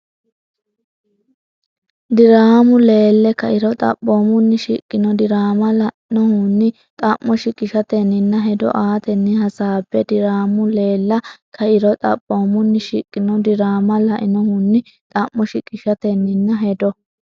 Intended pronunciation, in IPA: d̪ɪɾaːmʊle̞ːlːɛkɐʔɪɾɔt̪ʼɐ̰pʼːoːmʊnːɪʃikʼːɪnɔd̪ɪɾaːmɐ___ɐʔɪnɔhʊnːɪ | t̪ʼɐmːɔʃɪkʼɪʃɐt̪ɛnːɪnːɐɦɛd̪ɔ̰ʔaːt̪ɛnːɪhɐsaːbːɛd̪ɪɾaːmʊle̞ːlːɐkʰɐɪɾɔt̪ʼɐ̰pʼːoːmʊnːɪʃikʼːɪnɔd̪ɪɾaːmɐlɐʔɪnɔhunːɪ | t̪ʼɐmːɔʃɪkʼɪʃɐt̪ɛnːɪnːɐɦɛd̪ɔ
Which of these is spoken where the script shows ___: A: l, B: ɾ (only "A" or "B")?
A